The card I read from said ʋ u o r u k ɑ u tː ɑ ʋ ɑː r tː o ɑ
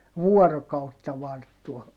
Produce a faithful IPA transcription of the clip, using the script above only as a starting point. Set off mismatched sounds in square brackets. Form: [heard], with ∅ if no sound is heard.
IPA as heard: ʋ u [ɔ] r [o] k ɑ u tː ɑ ʋ [ɑ] r tː [u] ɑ